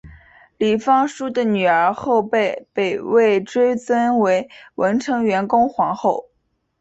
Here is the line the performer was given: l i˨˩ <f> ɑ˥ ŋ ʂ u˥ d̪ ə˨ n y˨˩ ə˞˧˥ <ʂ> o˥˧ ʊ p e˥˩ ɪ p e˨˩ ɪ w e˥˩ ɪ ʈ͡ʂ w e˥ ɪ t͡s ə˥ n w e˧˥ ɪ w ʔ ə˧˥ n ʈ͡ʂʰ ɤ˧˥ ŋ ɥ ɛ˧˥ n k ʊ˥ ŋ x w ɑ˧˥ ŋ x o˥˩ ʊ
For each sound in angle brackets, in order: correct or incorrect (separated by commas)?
correct, incorrect